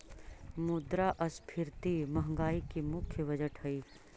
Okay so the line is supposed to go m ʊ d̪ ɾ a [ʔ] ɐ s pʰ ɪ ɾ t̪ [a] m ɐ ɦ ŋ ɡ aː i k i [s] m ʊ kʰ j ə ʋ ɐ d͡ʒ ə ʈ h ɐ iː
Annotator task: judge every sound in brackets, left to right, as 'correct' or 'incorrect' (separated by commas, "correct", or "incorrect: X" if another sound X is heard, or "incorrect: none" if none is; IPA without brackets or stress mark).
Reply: correct, incorrect: i, incorrect: none